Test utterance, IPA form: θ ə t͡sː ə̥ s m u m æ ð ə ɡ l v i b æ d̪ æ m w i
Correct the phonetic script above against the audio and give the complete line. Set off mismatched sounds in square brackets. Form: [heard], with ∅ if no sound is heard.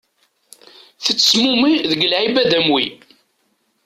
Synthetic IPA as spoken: θ ə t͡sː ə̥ s m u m [i] ð ə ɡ l [ʕ] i b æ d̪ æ m w i